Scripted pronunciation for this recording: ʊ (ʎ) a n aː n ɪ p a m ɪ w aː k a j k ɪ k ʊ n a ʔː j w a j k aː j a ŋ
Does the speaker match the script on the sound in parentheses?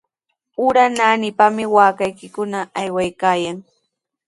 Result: no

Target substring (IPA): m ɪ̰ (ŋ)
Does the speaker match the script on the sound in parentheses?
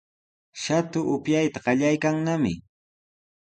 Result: no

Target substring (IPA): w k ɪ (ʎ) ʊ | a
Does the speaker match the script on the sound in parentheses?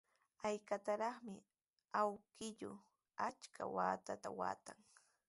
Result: yes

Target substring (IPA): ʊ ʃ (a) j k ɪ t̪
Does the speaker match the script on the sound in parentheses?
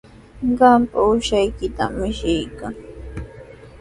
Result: yes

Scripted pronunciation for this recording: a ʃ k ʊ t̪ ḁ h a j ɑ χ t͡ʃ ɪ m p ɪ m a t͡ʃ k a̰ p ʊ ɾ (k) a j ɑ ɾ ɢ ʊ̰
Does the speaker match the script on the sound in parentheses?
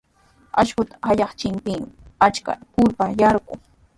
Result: no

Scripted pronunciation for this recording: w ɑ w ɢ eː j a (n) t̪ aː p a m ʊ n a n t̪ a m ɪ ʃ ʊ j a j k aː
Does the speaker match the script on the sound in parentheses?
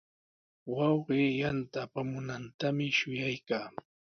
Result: yes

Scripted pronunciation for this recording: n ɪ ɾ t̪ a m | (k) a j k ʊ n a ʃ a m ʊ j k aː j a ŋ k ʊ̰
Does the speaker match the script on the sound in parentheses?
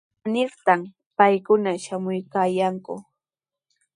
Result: no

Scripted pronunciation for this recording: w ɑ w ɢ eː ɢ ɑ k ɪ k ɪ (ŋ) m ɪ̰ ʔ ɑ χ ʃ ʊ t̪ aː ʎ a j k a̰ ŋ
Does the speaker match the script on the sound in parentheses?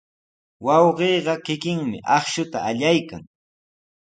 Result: yes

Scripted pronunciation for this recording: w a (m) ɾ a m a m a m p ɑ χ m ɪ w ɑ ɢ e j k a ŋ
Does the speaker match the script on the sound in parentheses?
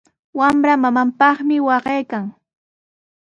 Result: yes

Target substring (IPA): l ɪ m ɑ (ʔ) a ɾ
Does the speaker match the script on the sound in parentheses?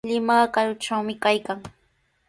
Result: no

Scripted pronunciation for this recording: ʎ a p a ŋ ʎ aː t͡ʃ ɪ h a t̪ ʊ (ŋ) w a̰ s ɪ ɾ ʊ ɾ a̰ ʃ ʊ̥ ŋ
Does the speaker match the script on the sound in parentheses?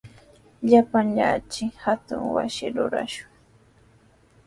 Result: yes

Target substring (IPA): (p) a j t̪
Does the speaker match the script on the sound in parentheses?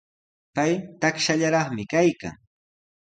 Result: yes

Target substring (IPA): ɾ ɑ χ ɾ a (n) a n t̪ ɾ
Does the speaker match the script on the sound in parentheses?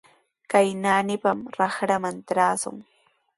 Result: no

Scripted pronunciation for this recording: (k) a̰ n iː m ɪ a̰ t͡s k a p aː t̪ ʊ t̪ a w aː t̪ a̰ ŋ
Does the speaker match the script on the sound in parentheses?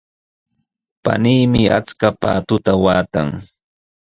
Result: no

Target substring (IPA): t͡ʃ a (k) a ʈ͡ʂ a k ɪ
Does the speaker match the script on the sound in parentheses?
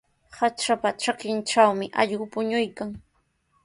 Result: no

